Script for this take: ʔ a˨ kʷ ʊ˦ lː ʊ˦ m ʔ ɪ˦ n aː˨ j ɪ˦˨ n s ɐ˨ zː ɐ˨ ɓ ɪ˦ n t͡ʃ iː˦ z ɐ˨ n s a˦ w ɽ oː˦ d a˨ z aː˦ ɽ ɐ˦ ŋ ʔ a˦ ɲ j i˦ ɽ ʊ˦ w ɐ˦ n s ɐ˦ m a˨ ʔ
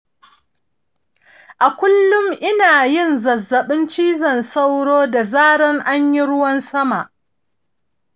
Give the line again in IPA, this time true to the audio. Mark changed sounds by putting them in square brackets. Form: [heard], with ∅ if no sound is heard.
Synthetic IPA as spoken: ʔ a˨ kʷ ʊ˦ lː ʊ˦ m ʔ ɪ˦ n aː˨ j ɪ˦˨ n [z] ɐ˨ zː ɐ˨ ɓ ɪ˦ n t͡ʃ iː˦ z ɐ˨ n s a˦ w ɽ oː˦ d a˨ z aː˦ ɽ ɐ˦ ŋ ʔ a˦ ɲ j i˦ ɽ ʊ˦ w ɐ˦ n s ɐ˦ m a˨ ʔ